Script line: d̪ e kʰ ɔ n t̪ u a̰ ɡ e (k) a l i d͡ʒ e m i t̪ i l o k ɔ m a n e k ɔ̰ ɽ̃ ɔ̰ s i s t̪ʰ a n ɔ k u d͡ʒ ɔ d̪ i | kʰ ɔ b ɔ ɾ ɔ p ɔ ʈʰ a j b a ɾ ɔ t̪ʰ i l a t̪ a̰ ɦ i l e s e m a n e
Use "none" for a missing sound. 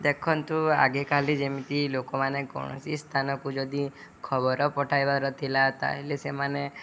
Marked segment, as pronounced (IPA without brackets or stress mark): k